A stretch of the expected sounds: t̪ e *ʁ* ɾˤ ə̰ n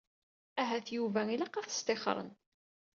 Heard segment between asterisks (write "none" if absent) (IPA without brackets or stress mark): χ